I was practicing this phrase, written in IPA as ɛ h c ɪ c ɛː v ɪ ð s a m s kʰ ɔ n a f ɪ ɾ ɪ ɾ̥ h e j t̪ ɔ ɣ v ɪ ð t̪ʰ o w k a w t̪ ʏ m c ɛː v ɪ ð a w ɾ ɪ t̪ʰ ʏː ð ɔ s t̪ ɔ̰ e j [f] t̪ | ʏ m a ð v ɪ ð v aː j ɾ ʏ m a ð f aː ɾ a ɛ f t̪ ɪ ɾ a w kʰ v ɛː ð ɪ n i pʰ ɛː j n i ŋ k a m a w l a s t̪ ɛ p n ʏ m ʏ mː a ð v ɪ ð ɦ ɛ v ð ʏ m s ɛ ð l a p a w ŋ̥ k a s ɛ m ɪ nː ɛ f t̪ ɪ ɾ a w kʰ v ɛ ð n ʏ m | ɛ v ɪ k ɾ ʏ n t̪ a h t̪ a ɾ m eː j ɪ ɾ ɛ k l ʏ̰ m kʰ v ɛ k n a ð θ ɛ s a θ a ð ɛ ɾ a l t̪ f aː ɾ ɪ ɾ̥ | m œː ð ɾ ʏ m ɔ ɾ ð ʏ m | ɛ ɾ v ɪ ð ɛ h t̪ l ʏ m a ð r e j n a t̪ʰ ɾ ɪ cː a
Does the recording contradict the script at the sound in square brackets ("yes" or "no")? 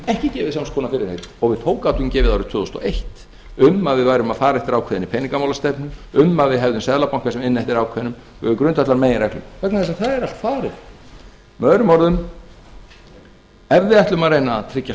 yes